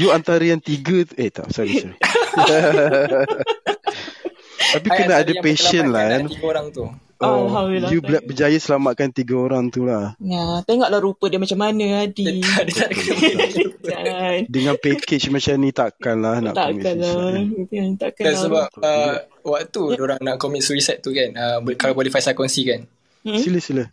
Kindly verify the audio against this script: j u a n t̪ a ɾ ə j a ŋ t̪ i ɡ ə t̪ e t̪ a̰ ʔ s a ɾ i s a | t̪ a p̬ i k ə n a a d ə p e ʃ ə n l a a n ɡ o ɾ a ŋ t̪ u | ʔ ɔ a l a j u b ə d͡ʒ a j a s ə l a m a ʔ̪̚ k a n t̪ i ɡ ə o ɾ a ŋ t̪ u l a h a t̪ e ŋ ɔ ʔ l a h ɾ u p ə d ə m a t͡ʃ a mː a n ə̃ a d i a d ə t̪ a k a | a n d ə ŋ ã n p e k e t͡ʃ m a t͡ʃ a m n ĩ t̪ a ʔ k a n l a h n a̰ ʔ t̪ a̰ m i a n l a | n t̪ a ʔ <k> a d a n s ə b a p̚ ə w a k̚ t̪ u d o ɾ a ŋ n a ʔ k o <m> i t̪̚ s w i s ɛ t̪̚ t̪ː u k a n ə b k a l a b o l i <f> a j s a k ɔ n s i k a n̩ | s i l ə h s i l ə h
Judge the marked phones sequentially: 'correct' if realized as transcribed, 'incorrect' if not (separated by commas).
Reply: correct, correct, correct